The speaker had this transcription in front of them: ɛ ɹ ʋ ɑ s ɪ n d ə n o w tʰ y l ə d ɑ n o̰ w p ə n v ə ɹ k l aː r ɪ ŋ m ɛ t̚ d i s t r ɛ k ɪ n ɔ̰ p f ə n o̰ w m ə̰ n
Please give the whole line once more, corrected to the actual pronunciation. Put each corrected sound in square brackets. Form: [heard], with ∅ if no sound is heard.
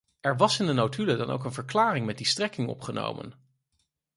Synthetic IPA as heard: ɛ ɹ ʋ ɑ s ɪ n d ə n o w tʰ y l ə d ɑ n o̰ w [k] ə n v ə ɹ k l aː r ɪ ŋ m ɛ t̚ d i s t r ɛ k ɪ [ŋ] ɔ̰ p [χ] ə n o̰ w m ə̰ n